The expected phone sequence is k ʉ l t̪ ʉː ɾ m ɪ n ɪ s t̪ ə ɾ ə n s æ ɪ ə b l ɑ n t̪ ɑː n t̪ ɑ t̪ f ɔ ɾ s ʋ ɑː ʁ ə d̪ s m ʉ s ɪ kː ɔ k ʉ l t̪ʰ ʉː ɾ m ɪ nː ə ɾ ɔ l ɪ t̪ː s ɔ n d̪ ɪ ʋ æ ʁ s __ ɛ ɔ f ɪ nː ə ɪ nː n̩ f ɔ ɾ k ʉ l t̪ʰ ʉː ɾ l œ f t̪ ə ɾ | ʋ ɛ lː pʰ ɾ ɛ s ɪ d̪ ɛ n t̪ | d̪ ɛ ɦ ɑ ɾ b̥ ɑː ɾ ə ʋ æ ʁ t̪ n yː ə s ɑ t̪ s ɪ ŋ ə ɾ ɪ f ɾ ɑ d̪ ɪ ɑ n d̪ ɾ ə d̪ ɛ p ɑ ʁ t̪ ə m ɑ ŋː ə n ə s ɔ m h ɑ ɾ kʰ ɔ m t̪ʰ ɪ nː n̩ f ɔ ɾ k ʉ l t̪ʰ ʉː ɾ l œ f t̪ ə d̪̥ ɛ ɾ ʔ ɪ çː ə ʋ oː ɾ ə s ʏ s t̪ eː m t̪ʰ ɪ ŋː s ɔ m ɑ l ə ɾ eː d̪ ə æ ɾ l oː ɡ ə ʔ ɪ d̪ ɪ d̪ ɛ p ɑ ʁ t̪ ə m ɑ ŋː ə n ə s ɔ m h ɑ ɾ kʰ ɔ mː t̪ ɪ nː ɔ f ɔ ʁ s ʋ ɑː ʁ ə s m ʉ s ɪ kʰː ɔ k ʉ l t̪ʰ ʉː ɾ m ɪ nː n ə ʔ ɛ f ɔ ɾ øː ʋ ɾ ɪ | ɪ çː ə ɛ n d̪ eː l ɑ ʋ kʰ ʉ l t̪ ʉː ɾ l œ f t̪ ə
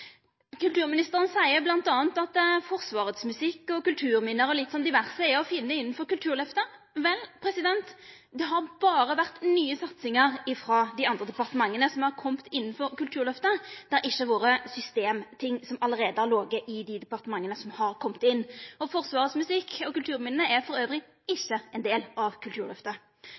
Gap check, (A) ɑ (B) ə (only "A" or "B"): B